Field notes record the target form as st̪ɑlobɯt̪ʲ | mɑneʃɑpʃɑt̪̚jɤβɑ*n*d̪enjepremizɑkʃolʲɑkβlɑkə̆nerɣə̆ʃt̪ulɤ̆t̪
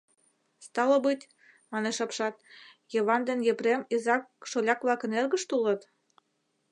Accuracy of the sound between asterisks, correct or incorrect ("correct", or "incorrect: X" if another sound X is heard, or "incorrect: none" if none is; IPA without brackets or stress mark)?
correct